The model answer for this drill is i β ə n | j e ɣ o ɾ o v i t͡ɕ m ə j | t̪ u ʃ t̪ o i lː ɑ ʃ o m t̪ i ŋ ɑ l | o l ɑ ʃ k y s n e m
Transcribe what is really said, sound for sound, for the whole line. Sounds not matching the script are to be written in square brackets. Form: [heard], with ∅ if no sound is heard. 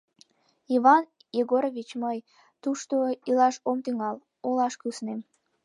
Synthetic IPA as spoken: i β [ɑ] n | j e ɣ o ɾ o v i t͡ɕ m ə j | t̪ u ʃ t̪ o i [l] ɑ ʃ o m t̪ [y] ŋ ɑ l | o l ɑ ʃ k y s n e m